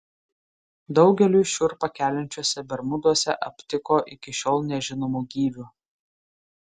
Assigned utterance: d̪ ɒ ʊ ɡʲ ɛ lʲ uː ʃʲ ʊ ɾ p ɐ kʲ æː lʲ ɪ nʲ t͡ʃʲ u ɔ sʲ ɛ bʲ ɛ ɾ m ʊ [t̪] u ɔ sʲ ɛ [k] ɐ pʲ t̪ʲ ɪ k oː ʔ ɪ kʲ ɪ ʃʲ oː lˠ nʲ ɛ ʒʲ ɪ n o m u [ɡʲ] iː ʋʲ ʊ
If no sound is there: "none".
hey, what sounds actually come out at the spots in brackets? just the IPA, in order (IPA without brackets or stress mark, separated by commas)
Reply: d̪, ʔ, ɡʲ